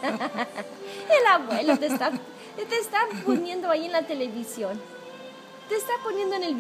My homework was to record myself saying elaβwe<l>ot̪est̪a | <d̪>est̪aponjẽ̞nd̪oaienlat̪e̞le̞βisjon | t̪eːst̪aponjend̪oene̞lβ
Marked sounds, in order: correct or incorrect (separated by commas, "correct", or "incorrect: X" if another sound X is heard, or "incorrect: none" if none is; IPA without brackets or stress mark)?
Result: correct, incorrect: t̪